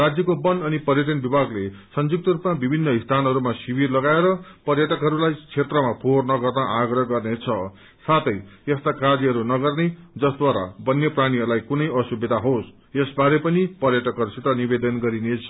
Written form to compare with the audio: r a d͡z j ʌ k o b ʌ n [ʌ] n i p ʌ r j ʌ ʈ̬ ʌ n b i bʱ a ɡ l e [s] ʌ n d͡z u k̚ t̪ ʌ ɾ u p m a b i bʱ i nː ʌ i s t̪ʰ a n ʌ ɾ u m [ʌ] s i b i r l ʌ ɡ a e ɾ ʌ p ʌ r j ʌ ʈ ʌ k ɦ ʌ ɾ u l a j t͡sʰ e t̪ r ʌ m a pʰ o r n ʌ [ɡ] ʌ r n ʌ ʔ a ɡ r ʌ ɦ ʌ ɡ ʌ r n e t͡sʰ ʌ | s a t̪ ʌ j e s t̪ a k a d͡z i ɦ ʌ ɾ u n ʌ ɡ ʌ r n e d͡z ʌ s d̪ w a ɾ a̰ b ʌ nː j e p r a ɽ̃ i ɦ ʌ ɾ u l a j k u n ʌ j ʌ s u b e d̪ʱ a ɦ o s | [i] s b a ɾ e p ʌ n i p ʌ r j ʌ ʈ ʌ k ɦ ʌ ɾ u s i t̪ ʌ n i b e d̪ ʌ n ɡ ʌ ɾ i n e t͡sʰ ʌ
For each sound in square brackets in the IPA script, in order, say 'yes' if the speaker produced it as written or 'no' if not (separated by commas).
yes, yes, no, yes, no